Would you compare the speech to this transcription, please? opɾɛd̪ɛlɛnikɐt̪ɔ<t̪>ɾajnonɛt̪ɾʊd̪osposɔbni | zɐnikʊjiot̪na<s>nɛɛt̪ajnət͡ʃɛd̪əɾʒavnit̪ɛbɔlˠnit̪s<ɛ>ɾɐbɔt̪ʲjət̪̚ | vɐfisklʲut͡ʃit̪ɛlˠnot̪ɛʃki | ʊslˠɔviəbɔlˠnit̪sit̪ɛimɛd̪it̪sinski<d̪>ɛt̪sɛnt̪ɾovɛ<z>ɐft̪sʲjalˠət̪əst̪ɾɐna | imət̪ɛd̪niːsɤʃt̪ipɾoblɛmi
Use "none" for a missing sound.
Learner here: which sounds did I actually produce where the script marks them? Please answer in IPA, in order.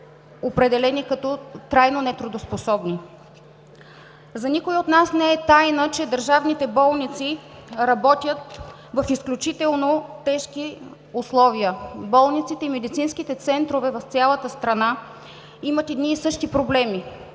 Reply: t̪, s, i, t̪, v

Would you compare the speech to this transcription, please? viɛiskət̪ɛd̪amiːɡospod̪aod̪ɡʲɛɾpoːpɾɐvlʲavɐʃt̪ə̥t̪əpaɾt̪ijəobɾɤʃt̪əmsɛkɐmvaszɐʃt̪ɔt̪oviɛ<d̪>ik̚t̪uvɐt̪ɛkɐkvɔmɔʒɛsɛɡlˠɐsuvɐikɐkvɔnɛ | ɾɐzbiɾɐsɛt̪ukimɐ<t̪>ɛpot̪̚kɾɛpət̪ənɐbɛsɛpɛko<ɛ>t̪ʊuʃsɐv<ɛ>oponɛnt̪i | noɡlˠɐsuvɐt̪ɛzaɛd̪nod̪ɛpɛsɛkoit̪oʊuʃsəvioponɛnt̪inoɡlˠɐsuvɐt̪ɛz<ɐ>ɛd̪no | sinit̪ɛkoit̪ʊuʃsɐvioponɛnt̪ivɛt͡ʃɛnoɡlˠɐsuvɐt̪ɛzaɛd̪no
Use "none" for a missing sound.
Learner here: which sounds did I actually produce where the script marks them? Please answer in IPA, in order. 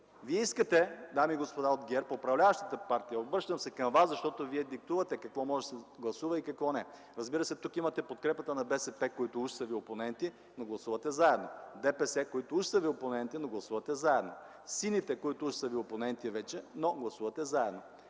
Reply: d̪, t̪, i, i, a

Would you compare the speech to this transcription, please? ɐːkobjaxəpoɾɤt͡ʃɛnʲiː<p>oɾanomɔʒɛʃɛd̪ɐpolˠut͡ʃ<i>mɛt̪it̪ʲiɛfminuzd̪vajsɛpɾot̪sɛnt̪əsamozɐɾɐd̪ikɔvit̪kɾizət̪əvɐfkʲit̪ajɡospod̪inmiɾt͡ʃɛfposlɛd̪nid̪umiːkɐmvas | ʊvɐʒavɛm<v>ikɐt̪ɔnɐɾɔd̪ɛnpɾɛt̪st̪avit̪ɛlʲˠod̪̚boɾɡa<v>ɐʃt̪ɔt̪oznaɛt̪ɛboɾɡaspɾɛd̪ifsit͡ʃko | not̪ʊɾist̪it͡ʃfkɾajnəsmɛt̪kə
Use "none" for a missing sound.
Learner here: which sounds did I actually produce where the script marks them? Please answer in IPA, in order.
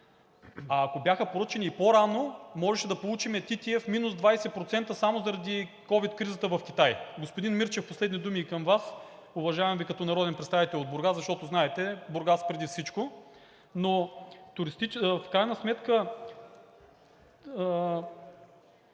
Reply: p, i, v, z

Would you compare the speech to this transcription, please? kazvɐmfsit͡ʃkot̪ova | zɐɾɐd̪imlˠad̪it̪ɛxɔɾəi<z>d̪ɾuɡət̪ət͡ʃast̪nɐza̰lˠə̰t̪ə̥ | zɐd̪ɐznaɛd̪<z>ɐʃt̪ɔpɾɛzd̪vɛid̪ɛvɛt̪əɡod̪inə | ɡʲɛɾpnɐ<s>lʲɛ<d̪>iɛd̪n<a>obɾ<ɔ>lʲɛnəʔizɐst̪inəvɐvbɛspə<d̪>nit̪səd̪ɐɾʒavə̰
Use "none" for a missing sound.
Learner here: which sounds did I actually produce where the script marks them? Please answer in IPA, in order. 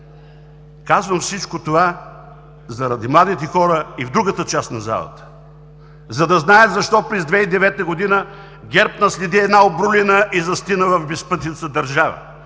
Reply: v, z, s, d̪, a, u, t̪

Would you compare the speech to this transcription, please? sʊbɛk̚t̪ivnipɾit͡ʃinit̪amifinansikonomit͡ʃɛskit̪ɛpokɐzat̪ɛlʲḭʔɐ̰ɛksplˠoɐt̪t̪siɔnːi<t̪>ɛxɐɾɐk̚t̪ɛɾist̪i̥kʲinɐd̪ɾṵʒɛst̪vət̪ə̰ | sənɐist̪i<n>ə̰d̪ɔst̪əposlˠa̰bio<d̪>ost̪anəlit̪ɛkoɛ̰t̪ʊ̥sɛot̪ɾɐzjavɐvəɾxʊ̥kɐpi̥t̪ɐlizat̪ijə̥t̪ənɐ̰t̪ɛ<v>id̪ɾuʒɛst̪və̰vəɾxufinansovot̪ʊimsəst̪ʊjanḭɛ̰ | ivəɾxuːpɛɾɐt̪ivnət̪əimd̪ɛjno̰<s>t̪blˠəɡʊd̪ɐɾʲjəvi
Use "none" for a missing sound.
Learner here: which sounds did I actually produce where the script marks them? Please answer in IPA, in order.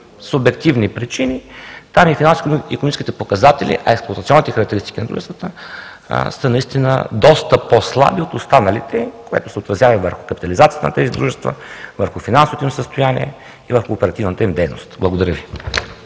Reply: t̪, n, t̪, z, s

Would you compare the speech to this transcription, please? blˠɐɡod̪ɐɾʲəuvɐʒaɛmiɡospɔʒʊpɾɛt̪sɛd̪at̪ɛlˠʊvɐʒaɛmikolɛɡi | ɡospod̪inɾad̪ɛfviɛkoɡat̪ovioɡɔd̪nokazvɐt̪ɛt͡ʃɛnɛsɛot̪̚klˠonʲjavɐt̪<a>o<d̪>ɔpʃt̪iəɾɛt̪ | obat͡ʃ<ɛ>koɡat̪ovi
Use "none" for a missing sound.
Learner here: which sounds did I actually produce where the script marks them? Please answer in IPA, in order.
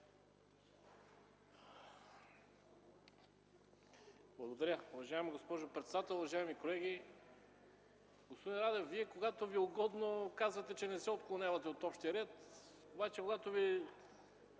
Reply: ɛ, t̪, ɛ

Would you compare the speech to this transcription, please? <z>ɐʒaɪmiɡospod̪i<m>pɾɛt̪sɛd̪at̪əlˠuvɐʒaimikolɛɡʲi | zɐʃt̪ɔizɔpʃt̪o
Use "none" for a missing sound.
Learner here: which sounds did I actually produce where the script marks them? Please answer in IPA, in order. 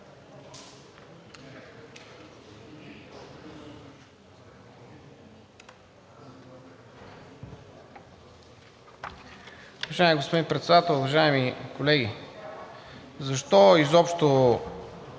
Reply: v, n

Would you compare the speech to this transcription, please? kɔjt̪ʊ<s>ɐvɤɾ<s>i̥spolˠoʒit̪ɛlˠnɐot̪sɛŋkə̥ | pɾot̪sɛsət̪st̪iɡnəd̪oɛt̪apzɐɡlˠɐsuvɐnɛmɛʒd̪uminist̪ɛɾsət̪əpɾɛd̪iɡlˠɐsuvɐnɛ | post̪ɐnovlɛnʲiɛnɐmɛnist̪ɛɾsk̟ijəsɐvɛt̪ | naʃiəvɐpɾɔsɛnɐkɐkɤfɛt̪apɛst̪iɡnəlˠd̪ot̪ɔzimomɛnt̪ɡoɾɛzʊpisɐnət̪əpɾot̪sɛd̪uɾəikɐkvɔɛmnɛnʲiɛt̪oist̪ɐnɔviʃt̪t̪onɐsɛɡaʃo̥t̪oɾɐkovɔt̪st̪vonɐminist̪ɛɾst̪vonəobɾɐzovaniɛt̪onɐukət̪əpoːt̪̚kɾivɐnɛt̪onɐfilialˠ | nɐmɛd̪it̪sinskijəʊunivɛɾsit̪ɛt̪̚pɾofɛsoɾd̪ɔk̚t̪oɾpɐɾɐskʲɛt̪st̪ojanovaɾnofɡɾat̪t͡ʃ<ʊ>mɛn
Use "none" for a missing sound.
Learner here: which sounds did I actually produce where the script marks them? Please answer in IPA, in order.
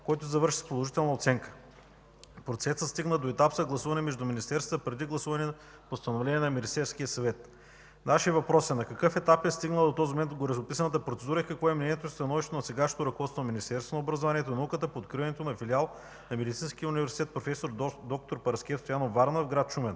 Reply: z, ʃ, u

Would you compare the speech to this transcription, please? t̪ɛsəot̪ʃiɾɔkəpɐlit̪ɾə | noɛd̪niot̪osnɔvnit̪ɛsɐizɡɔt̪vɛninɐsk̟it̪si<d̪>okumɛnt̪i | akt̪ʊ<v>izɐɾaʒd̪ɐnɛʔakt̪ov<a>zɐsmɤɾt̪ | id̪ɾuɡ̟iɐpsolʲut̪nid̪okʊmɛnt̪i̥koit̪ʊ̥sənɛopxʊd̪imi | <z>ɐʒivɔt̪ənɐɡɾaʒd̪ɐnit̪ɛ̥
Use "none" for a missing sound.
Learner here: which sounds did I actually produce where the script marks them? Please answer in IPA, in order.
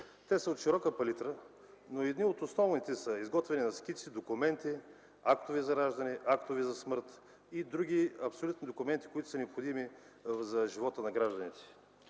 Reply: d̪, v, i, z

